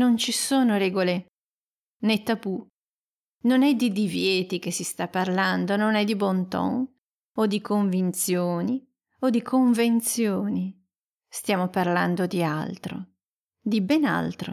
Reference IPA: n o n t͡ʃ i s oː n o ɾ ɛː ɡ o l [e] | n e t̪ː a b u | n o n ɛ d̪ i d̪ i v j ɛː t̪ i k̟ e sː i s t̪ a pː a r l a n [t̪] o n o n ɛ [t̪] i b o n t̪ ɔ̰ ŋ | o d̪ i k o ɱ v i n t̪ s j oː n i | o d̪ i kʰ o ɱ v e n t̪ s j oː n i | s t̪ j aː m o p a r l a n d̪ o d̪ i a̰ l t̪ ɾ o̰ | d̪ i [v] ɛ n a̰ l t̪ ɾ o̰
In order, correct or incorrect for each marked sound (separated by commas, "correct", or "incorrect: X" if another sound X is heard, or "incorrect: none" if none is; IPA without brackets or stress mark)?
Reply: correct, incorrect: d̪, incorrect: d̪, incorrect: b